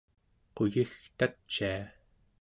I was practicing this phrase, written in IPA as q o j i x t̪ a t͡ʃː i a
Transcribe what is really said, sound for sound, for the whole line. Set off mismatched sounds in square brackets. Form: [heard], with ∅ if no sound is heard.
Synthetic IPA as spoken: q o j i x t̪ a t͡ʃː i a